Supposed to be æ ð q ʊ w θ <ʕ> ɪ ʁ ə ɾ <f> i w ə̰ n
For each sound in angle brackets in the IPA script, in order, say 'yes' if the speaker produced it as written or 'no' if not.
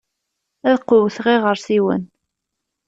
no, no

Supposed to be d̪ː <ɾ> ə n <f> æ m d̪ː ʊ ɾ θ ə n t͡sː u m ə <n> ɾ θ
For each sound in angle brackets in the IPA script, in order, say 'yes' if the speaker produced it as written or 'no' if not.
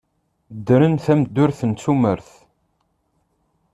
yes, no, no

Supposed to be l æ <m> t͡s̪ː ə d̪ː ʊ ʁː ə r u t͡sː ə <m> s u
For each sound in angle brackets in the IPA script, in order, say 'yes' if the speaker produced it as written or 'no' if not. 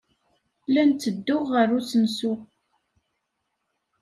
no, no

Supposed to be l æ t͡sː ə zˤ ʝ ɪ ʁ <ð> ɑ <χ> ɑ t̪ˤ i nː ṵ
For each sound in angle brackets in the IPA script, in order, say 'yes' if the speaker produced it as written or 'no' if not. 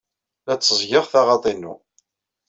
no, no

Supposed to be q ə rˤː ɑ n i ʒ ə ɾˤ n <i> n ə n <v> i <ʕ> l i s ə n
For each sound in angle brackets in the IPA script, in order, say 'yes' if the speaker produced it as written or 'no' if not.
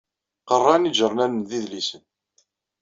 no, no, no

